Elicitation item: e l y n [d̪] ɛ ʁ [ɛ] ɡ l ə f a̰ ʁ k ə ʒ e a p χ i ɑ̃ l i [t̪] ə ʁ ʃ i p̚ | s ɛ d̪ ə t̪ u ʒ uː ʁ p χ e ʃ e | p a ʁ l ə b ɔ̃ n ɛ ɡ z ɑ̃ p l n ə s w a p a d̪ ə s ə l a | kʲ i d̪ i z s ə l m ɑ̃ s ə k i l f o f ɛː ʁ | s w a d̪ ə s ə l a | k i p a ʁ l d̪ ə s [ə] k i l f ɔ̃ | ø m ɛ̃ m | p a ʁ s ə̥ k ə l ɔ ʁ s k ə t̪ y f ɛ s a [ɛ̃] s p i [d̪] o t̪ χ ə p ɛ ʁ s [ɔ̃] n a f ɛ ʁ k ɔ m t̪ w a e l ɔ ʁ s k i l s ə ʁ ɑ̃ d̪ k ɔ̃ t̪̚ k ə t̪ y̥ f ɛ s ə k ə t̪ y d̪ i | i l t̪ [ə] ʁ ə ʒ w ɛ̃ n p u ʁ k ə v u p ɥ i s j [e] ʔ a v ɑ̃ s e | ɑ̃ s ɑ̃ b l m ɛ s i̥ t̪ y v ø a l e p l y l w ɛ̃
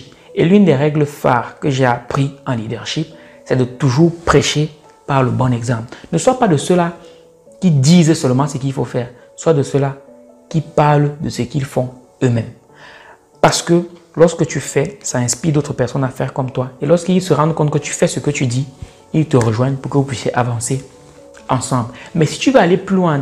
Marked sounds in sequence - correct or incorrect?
correct, correct, incorrect, correct, correct, correct, incorrect, correct, correct

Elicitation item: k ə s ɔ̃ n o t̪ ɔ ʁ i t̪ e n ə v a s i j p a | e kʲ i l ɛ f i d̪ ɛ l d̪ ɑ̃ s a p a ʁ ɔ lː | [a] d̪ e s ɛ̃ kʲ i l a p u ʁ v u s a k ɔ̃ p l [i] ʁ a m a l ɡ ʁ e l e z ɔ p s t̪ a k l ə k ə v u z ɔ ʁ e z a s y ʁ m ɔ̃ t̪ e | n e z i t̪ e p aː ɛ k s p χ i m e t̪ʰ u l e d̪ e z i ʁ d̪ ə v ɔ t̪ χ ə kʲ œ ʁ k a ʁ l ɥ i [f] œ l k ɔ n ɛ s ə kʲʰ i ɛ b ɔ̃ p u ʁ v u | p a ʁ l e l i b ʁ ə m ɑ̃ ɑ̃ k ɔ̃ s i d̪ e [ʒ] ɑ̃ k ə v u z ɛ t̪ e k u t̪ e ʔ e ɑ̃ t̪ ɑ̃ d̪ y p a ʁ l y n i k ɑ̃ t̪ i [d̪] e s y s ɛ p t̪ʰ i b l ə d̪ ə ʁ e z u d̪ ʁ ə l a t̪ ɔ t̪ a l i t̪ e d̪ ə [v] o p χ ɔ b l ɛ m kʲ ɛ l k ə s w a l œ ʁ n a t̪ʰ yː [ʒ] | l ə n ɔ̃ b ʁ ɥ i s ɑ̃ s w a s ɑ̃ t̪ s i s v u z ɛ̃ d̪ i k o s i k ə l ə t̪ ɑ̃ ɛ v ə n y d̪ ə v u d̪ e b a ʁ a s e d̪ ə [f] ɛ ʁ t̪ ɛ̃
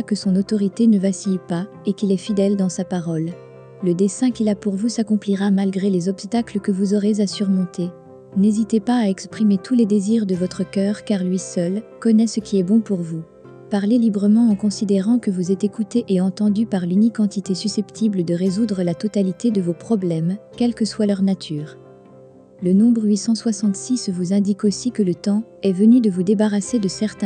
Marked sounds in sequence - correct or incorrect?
incorrect, correct, incorrect, incorrect, incorrect, correct, incorrect, incorrect

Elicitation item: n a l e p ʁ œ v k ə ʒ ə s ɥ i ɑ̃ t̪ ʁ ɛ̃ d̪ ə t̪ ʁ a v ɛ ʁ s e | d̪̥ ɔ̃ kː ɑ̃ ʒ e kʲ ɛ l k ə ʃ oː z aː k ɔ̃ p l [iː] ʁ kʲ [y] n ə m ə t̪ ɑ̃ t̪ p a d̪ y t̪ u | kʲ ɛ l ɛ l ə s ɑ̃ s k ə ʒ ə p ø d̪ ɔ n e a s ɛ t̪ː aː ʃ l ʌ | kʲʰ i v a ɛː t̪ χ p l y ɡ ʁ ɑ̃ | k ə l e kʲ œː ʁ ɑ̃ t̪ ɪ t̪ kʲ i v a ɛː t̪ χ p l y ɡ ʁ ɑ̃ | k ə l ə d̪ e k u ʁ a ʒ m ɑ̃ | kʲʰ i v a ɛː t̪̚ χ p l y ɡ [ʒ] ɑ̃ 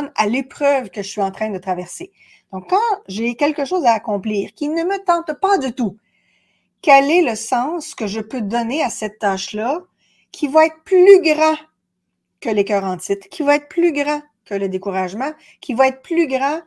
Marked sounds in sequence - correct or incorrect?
correct, incorrect, incorrect

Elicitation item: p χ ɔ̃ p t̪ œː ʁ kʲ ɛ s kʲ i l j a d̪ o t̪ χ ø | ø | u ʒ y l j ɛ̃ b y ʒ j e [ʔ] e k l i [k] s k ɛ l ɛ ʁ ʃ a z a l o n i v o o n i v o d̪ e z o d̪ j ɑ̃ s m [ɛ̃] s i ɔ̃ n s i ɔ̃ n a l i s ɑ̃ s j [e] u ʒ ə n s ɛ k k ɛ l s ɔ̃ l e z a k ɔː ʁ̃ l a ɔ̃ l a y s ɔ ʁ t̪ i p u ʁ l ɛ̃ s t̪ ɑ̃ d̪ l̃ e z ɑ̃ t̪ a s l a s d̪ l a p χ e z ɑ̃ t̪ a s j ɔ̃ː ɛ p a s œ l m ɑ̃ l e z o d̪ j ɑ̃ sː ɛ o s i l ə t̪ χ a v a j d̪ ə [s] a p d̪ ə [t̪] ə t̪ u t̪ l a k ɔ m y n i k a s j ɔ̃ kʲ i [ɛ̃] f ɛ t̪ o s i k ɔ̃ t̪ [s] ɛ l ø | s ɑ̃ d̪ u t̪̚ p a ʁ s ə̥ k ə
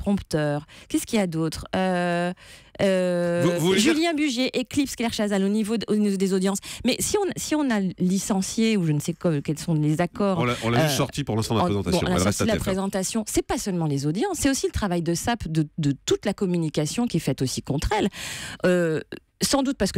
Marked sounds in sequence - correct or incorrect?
correct, incorrect, incorrect, correct, correct, incorrect, incorrect, incorrect

